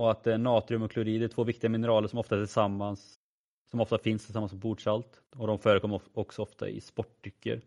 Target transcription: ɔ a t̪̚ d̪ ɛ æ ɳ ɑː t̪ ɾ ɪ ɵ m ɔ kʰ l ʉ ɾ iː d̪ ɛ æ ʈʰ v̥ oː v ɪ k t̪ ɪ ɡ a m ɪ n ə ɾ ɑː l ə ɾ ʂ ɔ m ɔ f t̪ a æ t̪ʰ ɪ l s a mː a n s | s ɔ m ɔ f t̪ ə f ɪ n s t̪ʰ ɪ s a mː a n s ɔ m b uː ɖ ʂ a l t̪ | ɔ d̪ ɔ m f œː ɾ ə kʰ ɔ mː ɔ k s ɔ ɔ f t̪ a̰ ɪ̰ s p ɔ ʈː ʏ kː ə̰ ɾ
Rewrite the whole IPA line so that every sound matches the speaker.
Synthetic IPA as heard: ɔ a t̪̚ d̪ ɛ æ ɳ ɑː t̪ ɾ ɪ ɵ m ɔ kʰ l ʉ ɾ iː d̪ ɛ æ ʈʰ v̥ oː v ɪ k t̪ ɪ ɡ a m ɪ n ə ɾ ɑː l ə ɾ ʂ ɔ m ɔ f t̪ a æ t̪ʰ ɪ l s a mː a n s | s ɔ m ɔ f t̪ a f ɪ n s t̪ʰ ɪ s a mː a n s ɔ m b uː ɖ ʂ a l t̪ | ɔ d̪ ɔ m f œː ɾ ə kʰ ɔ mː ɔ k s ɔ ɔ f t̪ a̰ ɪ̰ s p ɔ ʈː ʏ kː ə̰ ɾ